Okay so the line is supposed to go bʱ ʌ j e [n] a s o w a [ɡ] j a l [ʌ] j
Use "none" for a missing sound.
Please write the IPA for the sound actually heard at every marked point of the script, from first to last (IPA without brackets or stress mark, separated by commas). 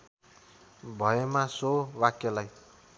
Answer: m, k, a